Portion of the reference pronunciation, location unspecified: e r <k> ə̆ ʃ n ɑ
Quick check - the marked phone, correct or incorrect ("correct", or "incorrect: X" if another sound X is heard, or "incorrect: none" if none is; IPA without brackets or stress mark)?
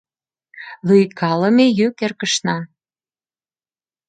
correct